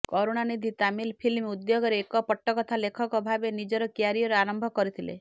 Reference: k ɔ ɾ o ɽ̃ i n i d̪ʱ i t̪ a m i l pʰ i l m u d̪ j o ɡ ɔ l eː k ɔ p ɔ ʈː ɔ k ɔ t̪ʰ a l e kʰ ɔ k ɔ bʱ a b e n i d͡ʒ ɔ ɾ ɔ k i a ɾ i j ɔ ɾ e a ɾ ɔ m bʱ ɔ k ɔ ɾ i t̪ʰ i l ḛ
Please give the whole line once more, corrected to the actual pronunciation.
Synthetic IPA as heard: k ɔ ɾ o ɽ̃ a n i d̪ʱ i t̪ a m i l pʰ i l m u d̪ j o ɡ ɔ ɾ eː k ɔ p ɔ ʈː ɔ k ɔ t̪ʰ a l e kʰ ɔ k ɔ bʱ a b e n i d͡ʒ ɔ ɾ ɔ k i a ɾ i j ɔ ɾ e a ɾ ɔ m bʱ ɔ k ɔ ɾ i t̪ʰ i l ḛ